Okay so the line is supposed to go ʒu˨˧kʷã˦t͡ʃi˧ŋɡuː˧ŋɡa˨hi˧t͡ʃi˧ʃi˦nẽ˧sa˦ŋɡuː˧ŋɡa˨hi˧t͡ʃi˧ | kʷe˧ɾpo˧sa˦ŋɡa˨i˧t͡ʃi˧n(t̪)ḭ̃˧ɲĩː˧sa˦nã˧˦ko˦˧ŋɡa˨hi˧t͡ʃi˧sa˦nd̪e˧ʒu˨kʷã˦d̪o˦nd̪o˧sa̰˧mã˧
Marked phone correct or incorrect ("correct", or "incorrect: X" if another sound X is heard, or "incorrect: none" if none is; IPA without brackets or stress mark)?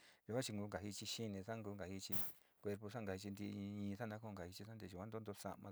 incorrect: d̪